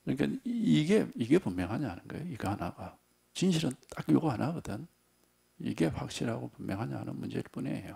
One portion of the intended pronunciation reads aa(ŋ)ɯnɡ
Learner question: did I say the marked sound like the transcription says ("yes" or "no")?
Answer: no